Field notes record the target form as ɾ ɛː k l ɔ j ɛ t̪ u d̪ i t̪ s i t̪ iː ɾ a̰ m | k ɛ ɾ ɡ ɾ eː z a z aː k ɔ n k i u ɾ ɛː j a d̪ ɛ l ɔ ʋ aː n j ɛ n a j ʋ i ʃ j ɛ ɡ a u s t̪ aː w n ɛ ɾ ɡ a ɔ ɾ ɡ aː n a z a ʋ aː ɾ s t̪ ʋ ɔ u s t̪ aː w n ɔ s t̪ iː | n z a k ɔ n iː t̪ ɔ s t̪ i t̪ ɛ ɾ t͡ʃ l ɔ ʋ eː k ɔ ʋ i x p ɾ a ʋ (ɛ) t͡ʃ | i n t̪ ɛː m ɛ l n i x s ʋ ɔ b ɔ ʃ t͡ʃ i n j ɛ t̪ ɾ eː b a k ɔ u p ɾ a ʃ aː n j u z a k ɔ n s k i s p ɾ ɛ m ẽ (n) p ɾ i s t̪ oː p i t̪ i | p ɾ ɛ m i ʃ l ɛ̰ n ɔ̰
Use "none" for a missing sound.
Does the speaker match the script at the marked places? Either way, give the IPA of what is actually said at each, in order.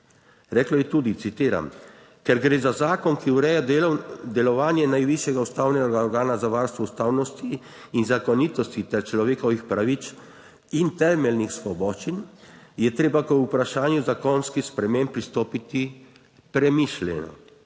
i, m

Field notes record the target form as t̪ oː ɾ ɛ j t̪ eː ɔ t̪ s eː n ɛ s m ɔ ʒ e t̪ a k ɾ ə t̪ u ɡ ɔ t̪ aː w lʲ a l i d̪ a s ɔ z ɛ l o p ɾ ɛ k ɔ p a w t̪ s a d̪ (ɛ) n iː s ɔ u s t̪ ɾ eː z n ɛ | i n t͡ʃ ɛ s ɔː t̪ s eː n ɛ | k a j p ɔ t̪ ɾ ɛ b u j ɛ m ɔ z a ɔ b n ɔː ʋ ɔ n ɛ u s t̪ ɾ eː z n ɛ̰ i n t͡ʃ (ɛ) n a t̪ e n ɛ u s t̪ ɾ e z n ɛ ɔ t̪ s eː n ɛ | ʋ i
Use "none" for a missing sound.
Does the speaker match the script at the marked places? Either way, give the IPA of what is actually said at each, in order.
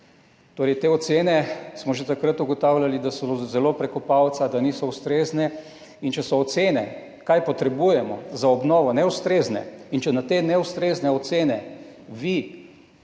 a, ɛ

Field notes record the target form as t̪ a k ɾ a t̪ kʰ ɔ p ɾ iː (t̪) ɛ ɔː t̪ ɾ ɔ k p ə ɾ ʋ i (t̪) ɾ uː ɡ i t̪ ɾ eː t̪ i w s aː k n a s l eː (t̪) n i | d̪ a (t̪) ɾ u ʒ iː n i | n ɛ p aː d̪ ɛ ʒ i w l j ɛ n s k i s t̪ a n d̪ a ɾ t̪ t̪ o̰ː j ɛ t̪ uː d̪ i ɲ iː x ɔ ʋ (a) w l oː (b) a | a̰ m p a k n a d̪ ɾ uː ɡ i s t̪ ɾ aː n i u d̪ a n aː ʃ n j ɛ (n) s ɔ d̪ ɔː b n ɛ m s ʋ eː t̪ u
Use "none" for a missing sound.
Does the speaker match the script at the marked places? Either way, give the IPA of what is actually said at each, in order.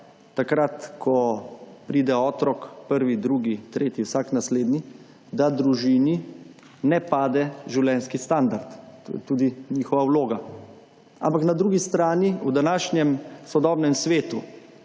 d̪, d̪, d̪, d̪, a, ɡ, m

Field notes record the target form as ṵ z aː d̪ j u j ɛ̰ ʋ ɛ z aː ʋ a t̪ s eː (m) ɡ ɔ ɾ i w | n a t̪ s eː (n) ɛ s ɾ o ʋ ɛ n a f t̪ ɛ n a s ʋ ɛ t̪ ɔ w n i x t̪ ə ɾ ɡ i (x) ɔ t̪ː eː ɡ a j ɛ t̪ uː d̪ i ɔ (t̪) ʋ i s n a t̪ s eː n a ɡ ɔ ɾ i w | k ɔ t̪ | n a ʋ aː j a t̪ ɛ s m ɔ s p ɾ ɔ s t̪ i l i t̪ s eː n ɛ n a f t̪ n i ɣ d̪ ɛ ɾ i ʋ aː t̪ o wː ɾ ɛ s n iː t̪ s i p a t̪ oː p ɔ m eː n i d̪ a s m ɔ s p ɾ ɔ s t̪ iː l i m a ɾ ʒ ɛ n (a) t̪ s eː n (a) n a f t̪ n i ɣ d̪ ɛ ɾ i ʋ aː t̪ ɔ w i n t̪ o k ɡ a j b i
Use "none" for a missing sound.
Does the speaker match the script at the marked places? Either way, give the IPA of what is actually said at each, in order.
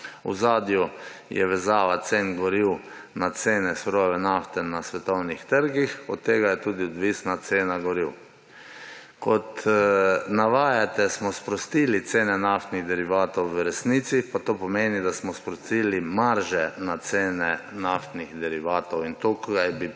n, n, x, d̪, a, ɛ

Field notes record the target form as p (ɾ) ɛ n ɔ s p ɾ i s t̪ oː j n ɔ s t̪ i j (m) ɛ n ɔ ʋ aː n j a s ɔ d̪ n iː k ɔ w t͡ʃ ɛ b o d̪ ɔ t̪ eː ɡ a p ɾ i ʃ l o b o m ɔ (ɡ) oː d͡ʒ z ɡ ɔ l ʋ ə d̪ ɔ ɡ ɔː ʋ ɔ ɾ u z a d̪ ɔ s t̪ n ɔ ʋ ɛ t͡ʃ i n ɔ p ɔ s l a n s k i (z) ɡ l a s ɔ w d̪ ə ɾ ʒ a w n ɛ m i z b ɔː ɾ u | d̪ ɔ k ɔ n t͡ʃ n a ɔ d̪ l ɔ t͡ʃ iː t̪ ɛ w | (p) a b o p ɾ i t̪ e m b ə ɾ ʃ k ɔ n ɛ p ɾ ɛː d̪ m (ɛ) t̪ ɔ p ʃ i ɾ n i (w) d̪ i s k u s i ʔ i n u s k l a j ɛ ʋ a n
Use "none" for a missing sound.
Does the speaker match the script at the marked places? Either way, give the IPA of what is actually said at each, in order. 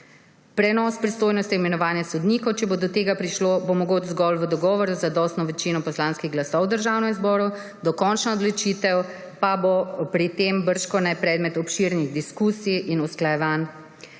ɾ, m, ɡ, ɣ, p, ɛ, ɣ

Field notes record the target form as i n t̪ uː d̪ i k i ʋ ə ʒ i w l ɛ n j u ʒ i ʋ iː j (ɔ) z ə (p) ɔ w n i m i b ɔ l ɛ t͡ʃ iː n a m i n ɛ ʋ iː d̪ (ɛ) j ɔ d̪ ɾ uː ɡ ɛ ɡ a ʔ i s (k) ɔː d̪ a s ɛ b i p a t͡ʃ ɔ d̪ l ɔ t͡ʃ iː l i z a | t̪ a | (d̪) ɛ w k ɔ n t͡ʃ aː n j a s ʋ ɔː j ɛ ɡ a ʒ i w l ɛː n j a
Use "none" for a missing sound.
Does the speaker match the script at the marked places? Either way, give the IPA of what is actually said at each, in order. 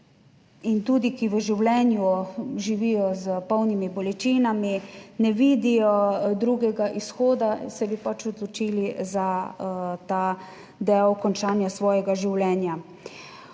ɔ, p, i, x, d̪

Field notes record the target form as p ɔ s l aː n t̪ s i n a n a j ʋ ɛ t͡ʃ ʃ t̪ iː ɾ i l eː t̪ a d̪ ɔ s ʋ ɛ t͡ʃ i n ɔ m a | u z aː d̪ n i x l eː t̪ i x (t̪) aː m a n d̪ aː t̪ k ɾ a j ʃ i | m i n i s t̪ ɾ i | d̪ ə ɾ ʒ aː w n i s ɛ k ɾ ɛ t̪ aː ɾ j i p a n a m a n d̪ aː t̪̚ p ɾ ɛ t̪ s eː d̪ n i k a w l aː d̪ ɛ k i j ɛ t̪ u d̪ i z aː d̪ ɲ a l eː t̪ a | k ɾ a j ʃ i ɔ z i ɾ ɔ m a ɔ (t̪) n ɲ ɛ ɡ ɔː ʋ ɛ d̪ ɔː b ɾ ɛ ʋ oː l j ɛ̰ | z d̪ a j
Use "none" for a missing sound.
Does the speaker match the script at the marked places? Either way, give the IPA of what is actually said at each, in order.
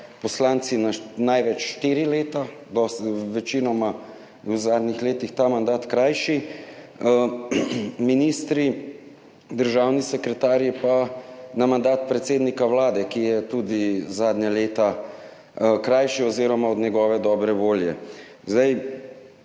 t̪, d̪

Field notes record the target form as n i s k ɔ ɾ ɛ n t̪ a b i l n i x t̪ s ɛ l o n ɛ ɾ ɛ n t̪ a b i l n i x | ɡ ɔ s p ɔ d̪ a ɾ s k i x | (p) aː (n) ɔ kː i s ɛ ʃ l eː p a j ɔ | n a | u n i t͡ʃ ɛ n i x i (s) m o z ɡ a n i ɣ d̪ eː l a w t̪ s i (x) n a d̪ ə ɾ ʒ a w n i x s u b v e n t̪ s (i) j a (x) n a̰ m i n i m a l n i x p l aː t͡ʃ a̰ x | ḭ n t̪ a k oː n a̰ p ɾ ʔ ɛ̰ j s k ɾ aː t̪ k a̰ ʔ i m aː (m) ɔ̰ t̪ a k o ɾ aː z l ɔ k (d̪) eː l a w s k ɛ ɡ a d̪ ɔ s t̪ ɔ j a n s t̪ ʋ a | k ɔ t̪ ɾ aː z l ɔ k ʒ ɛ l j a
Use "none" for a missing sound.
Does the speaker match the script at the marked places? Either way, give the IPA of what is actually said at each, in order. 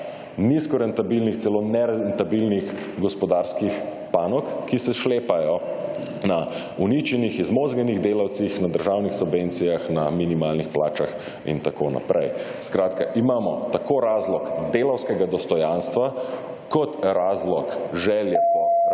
p, n, z, x, i, x, m, d̪

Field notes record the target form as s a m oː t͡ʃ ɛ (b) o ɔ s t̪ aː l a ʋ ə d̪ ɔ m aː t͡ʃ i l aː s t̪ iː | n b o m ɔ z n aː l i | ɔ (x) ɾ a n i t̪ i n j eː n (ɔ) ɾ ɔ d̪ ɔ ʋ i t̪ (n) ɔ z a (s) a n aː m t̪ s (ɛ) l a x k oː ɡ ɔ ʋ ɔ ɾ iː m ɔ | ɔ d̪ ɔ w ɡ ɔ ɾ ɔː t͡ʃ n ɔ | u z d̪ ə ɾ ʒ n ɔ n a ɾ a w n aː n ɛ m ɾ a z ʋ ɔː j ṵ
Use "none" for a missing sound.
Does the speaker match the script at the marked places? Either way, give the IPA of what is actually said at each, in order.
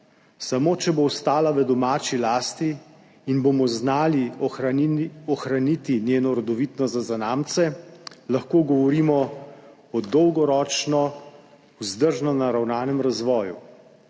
b, x, ɔ, n, z, ɛ

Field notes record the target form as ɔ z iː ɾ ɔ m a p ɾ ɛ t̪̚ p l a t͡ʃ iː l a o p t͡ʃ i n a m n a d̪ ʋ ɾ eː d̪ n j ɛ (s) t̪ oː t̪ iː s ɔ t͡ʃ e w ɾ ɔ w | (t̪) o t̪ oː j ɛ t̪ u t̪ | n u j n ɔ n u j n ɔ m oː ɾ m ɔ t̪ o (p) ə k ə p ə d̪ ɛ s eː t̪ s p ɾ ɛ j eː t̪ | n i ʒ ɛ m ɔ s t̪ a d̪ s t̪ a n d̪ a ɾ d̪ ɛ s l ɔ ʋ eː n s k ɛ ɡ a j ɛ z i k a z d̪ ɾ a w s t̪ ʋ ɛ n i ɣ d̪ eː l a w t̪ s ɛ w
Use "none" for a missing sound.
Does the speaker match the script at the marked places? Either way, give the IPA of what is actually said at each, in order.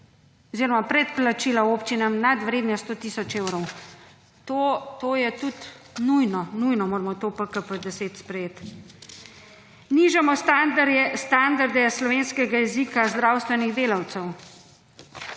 s, t̪, p

